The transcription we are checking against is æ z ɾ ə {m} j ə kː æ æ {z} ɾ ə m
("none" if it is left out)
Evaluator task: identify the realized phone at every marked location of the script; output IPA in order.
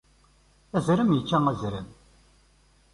m, z

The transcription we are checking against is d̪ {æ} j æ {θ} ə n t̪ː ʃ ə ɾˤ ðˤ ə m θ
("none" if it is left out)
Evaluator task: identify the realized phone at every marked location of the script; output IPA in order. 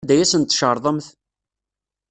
æ, s

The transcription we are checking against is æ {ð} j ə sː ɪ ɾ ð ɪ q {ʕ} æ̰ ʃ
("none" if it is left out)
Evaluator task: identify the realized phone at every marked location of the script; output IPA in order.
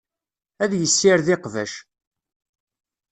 ð, v

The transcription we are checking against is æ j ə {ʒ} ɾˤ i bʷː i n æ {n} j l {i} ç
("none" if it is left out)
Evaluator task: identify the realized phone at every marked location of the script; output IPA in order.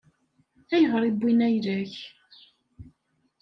ʁ, none, æ

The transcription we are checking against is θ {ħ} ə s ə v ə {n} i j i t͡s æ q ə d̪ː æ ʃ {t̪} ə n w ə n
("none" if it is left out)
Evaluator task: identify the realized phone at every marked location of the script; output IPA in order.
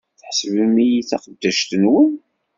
ħ, m, t̪

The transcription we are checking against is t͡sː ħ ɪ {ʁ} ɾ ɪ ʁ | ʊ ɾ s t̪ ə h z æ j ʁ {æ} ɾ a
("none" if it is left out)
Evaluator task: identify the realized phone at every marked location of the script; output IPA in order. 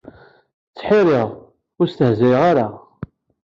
none, a

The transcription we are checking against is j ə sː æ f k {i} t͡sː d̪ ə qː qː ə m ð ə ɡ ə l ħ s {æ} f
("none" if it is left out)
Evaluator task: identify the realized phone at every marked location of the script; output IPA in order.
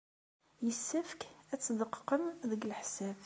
æ, æ

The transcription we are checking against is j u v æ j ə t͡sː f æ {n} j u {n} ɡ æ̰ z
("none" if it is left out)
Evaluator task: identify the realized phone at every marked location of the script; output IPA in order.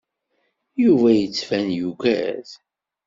n, none

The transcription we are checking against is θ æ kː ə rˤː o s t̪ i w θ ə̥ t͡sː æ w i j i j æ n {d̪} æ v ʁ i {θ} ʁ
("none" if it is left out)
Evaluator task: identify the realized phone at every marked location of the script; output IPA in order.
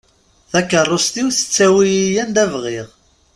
d̪, none

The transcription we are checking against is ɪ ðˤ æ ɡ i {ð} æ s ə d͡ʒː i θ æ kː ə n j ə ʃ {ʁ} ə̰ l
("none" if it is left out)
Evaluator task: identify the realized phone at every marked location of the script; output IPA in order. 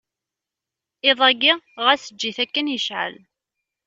ʁ, ʕ

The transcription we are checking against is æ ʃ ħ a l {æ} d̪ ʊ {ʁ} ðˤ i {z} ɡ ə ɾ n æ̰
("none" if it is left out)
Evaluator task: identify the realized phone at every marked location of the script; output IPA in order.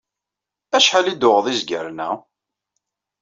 i, ʁ, z

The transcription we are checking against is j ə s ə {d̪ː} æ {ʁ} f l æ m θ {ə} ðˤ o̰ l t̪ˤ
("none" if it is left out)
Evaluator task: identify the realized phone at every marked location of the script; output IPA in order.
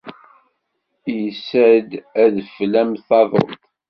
d̪, ð, ɑ

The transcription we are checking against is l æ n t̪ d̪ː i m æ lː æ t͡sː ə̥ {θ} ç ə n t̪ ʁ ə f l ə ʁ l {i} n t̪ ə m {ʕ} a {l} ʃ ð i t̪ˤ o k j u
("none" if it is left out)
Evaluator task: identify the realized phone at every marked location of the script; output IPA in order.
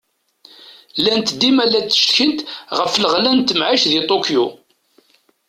ʃ, æ, ʕ, none

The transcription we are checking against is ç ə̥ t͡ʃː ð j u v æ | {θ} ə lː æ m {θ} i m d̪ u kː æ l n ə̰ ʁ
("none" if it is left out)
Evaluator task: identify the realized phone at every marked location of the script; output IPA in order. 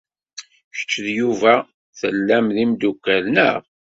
θ, ð

